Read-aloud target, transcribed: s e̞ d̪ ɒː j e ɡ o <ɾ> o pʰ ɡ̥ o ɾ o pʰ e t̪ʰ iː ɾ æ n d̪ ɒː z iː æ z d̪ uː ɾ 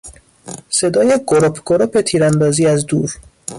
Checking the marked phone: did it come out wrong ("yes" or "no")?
no